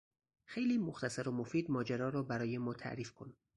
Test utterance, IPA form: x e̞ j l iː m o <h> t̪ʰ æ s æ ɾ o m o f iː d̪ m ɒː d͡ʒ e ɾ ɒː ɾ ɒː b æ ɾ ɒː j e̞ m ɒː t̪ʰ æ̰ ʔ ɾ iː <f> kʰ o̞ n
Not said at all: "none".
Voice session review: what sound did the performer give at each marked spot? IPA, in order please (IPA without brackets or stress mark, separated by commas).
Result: x, f